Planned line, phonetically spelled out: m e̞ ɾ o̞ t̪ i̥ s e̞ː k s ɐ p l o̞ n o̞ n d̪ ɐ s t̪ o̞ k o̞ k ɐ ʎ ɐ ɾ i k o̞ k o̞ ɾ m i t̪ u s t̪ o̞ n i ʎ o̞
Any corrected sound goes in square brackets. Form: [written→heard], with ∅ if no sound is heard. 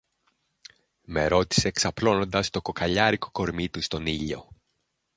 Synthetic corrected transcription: m e̞ ɾ o̞ t̪ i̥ s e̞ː k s ɐ p l o̞ n o̞ n d̪ ɐ s t̪ o̞ k o̞ k ɐ ʎ ɐ ɾ i k o̞ k o̞ ɾ m i t̪ u s t̪ o̞ n i ʎ o̞